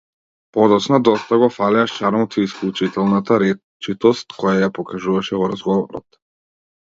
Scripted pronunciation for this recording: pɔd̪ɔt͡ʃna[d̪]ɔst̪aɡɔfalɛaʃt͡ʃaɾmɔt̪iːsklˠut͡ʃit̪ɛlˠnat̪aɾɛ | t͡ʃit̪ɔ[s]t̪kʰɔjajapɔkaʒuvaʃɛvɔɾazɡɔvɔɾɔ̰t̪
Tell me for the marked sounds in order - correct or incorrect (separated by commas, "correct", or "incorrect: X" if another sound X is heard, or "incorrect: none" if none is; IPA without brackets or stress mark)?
correct, correct